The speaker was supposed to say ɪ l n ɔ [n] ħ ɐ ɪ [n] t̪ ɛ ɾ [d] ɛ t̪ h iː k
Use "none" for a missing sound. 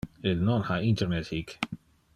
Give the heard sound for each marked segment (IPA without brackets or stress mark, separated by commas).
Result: n, n, n